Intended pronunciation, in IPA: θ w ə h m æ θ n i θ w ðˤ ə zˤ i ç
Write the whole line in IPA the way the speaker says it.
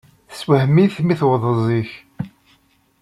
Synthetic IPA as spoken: s w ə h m i θ m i θ w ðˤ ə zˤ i ç